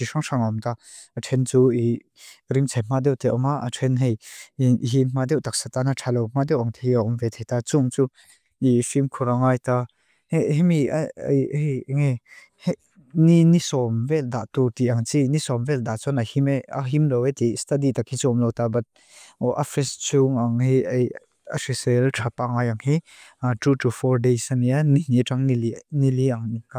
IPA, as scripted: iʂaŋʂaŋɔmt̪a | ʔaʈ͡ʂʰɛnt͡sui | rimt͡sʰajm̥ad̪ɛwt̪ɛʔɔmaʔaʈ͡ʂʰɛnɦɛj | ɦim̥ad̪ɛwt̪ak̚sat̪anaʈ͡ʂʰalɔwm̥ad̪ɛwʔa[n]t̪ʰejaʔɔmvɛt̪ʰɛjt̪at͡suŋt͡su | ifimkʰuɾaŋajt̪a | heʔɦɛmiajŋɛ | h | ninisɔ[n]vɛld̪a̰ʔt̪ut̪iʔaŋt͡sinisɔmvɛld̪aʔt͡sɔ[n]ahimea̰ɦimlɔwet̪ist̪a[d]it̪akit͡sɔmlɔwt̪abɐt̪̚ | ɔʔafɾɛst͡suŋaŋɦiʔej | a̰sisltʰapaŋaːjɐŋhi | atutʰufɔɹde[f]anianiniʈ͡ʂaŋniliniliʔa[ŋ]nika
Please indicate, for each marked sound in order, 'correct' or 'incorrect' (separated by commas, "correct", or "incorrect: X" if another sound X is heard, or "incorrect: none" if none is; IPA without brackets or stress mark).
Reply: incorrect: ŋ, incorrect: m, correct, correct, incorrect: s, correct